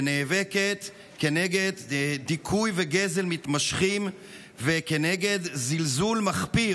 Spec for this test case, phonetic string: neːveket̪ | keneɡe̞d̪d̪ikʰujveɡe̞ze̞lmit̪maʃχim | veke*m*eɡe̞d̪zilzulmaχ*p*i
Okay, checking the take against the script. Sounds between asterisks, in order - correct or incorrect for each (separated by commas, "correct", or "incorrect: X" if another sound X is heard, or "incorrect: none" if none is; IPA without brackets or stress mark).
incorrect: n, correct